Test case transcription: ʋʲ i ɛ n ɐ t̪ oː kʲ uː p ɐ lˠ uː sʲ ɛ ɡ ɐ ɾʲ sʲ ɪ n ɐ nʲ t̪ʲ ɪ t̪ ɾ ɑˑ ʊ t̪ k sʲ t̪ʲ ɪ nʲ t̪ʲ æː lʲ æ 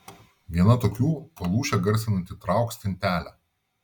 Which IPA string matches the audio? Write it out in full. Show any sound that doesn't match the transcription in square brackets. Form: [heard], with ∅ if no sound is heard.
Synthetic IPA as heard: ʋʲ i ɛ n ɐ t̪ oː kʲ uː p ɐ lˠ uː [ʃʲ] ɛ ɡ ɐ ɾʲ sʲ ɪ n ɐ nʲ t̪ʲ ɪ t̪ ɾ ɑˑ ʊ [∅] k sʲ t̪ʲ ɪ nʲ t̪ʲ æː lʲ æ

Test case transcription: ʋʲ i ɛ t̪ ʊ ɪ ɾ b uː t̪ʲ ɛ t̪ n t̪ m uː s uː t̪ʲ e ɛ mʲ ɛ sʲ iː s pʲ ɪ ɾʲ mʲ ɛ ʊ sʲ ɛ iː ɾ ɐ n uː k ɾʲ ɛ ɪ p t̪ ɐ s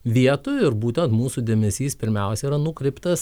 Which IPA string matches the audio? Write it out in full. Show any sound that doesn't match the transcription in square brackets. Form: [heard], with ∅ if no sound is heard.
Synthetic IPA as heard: ʋʲ i ɛ t̪ ʊ ɪ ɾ b uː t̪ʲ ɛ [∅] n t̪ m uː s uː [d̪ʲ] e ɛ mʲ ɛ sʲ iː s pʲ ɪ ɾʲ mʲ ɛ ʊ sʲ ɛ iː ɾ ɐ n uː k ɾʲ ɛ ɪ p t̪ ɐ s

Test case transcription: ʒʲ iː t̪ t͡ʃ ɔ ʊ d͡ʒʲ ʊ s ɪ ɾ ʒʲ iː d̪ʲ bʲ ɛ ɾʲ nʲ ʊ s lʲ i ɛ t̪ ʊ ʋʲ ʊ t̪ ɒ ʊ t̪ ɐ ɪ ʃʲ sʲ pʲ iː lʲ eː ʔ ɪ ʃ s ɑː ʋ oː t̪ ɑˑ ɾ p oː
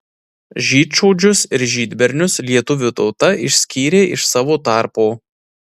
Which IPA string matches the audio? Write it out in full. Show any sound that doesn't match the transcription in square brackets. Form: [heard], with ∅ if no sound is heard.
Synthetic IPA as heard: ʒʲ iː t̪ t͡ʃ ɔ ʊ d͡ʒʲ ʊ s ɪ ɾ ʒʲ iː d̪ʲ bʲ ɛ ɾʲ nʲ ʊ s lʲ i ɛ t̪ ʊ ʋʲ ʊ t̪ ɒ ʊ t̪ ɐ ɪ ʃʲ sʲ [kʲ] iː [ɾʲ] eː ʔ ɪ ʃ s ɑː ʋ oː t̪ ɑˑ ɾ p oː

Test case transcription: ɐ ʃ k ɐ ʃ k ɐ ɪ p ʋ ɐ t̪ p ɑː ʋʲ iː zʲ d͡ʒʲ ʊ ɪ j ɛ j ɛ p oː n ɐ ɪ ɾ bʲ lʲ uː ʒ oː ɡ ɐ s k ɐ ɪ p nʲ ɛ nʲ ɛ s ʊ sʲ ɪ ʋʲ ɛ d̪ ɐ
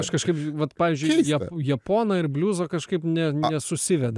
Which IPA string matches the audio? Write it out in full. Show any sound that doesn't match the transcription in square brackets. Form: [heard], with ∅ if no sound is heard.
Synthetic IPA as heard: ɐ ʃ k ɐ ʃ k ɐ ɪ p ʋ ɐ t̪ p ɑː ʋʲ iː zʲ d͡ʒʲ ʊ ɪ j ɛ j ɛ p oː n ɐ ɪ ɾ bʲ lʲ uː [z] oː [k] ɐ [ʃ] k ɐ ɪ p nʲ ɛ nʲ ɛ s ʊ sʲ ɪ ʋʲ ɛ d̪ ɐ

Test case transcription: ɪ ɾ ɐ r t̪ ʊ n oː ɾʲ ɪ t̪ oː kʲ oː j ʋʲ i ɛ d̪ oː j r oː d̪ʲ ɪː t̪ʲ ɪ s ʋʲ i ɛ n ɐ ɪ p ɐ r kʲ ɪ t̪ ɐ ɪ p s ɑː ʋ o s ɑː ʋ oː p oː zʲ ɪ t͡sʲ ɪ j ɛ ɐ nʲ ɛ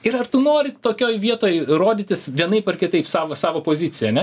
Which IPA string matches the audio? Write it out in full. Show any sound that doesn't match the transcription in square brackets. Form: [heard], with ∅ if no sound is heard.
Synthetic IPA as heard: ɪ ɾ ɐ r t̪ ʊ n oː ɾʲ ɪ t̪ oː kʲ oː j ʋʲ i ɛ [t̪] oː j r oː d̪ʲ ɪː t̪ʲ ɪ s ʋʲ i ɛ n ɐ ɪ p ɐ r kʲ ɪ t̪ ɐ ɪ p s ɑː ʋ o s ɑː ʋ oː p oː zʲ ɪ t͡sʲ ɪ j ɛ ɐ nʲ ɛ

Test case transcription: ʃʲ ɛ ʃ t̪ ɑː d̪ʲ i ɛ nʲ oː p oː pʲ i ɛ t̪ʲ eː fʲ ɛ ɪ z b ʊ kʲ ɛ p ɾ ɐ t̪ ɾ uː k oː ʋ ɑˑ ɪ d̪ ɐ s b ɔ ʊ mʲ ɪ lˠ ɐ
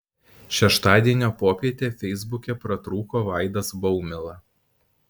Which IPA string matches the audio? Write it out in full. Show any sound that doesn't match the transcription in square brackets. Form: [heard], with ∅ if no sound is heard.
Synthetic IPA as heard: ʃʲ ɛ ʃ t̪ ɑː d̪ʲ i ɛ nʲ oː p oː pʲ i ɛ t̪ʲ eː fʲ ɛ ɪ z b ʊ kʲ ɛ p ɾ ɐ t̪ ɾ uː k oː ʋ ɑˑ ɪ d̪ ɐ s b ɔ ʊ mʲ ɪ lˠ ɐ

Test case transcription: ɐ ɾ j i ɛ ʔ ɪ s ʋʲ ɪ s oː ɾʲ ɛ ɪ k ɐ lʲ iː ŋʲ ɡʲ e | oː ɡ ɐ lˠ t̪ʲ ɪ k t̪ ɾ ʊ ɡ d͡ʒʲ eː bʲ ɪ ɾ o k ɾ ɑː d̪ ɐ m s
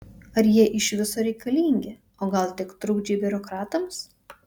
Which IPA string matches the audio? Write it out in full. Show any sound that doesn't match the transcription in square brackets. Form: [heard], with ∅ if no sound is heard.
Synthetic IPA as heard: ɐ ɾ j i ɛ ʔ ɪ [ʃ] ʋʲ ɪ s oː ɾʲ ɛ ɪ k ɐ lʲ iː ŋʲ ɡʲ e | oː ɡ ɐ lˠ t̪ʲ ɪ k t̪ ɾ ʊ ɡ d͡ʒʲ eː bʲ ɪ ɾ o k ɾ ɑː [t̪] ɐ m s

